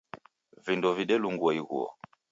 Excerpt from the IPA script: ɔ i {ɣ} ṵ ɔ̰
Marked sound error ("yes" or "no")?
no